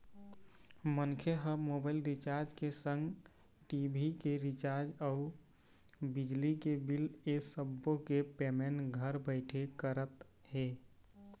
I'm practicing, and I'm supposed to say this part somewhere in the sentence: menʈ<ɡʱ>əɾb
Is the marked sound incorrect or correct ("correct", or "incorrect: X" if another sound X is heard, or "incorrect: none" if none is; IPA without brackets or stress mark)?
correct